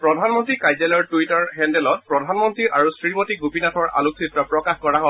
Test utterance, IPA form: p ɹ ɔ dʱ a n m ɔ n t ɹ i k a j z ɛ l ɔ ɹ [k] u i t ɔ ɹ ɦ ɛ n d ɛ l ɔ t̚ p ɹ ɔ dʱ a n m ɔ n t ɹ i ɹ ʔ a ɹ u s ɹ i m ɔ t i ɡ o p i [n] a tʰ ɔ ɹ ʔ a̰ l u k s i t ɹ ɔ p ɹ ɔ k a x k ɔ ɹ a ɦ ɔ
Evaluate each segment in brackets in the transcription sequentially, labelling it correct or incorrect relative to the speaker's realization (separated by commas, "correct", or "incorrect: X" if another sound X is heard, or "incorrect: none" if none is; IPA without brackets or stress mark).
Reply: incorrect: t, correct